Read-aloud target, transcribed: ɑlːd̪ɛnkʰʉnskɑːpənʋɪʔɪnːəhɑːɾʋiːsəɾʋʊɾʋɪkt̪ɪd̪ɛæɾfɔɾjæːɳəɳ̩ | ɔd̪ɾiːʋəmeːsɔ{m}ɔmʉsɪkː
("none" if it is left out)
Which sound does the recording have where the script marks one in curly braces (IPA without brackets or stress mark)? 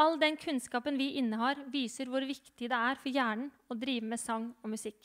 ŋ